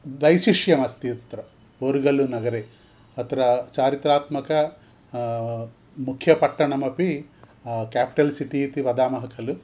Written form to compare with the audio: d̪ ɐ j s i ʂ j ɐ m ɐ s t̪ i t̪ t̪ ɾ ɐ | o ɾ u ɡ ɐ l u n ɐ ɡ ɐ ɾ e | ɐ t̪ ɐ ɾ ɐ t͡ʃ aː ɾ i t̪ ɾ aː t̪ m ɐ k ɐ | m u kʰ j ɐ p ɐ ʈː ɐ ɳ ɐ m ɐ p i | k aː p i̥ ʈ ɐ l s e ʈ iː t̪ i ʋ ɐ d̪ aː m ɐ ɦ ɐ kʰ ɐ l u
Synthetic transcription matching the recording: d̪ ɐ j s i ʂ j ɐ m ɐ s t̪ i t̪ t̪ ɾ ɐ | o ɾ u ɡ ɐ l u n ɐ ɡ ɐ ɾ e | ɐ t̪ ɐ ɾ ɐ t͡ʃ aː ɾ i t̪ ɾ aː t̪ m ɐ k ɐ | m u kʰ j ɐ p ɐ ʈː ɐ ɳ ɐ m ɐ p i | k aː p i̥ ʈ ɐ l s i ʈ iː t̪ i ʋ ɐ d̪ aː m ɐ ɦ ɐ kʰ ɐ l u